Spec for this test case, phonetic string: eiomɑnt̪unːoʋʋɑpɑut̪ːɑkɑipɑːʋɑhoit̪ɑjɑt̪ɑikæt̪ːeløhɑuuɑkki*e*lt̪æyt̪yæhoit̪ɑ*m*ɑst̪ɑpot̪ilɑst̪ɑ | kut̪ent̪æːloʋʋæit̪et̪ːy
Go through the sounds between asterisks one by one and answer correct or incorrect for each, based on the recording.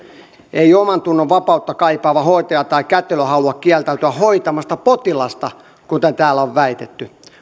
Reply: incorrect, correct

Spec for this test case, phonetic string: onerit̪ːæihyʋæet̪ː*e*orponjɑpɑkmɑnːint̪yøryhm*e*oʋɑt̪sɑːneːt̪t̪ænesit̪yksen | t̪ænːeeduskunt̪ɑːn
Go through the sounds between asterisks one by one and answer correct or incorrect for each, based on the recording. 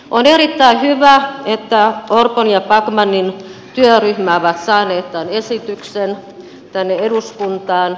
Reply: incorrect, incorrect

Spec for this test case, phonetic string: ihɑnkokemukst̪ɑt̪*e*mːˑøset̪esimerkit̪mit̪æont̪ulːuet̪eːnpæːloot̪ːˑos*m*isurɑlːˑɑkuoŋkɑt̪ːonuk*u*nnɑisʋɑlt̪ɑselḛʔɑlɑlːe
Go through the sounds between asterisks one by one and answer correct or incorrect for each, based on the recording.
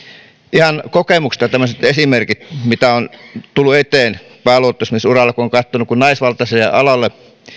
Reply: incorrect, correct, correct

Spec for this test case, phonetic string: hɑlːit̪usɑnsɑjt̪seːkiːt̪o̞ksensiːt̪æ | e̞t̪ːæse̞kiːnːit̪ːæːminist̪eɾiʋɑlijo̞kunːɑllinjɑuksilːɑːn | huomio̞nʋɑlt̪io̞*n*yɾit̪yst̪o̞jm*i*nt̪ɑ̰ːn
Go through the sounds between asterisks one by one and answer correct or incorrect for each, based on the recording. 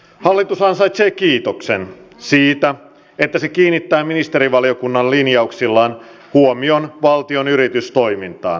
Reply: correct, correct

